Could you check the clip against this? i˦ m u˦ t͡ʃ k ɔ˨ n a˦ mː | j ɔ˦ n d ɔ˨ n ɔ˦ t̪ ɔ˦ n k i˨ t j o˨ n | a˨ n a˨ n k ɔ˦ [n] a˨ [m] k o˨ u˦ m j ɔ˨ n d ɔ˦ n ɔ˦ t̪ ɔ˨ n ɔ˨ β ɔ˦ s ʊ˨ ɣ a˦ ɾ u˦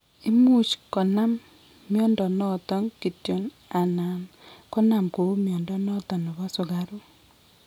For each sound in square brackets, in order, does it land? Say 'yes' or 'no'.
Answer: yes, yes

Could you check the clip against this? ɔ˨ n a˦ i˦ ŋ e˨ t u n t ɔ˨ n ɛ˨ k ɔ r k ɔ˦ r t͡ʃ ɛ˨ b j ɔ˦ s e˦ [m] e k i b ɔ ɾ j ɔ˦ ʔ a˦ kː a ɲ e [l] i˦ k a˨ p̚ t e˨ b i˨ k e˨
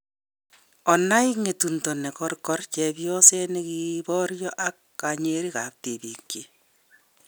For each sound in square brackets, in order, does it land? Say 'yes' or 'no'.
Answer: no, no

